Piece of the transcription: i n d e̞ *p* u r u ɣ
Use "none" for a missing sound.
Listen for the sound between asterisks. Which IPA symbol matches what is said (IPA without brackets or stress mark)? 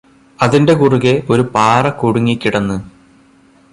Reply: k